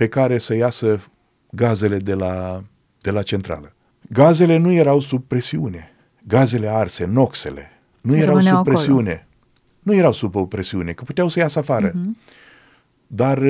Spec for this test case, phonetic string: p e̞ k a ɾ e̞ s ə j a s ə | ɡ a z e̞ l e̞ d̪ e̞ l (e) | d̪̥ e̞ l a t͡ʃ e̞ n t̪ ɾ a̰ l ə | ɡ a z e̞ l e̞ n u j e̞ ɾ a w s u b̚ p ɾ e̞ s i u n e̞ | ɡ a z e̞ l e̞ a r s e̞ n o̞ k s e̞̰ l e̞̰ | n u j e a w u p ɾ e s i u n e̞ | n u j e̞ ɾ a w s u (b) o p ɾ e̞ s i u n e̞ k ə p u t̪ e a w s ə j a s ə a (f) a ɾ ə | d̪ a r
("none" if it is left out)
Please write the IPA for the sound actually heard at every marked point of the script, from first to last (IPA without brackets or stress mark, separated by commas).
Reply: a, b, f